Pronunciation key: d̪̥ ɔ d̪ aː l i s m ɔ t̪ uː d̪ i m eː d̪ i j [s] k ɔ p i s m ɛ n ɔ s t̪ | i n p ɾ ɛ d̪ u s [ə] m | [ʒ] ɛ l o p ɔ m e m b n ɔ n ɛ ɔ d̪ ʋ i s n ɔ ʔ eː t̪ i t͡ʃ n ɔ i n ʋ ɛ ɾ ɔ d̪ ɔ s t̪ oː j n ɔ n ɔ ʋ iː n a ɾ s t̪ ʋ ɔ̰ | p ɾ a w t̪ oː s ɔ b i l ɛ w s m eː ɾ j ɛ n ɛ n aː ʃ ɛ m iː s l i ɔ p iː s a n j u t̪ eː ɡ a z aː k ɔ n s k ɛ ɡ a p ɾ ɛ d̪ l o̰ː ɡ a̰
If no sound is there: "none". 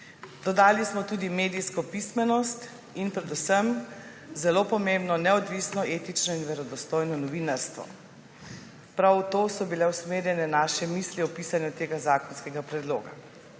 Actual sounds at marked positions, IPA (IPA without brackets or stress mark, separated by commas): s, ə, z